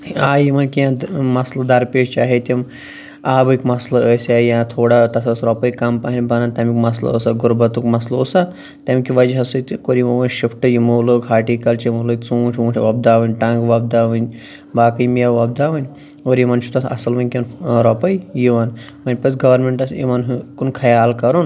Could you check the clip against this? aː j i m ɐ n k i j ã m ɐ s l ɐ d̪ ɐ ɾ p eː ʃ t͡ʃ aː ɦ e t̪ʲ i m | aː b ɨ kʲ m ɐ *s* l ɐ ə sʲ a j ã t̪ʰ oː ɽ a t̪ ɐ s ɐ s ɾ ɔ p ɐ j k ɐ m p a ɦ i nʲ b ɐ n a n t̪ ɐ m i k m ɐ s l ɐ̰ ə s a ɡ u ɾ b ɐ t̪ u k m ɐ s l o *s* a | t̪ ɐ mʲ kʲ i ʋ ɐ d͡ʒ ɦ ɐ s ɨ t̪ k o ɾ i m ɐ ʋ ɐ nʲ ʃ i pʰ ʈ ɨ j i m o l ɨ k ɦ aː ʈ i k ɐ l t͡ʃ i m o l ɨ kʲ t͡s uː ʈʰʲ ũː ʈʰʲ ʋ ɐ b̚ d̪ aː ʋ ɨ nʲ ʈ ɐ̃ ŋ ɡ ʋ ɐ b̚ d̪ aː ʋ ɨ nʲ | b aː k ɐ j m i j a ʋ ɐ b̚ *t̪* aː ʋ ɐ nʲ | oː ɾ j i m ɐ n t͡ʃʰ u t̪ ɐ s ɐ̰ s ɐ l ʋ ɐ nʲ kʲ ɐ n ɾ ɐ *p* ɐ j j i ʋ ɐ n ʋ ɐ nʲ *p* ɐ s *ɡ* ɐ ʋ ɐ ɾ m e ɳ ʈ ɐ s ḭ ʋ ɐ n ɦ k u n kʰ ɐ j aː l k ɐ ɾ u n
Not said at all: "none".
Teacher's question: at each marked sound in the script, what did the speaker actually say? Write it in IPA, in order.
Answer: s, s, d̪, p, p, ɡ

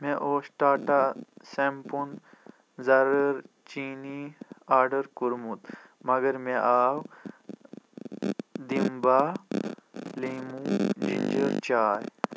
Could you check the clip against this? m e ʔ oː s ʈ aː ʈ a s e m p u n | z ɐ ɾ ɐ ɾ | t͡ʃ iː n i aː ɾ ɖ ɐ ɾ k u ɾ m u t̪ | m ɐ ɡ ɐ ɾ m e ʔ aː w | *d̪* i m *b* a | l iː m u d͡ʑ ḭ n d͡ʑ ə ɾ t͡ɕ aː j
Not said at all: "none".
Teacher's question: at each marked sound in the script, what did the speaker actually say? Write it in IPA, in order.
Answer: d̪, b

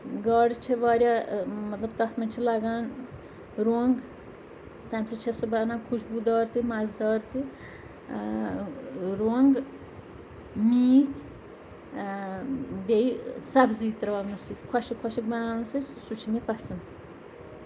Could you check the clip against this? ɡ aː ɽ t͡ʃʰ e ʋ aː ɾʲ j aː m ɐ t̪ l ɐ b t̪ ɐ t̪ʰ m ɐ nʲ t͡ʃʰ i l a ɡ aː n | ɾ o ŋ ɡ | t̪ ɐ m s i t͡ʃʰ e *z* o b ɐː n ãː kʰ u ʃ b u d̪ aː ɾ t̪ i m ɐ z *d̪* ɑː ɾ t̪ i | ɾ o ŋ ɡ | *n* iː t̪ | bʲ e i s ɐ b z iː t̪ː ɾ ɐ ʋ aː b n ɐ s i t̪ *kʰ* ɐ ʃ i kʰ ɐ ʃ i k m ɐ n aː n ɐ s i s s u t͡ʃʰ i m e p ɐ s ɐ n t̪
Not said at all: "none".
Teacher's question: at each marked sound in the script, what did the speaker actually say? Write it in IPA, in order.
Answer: s, d̪, m, kʰ

